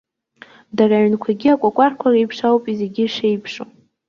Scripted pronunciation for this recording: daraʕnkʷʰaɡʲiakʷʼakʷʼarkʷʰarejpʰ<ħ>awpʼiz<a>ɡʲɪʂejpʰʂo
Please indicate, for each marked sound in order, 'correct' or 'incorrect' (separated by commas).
incorrect, incorrect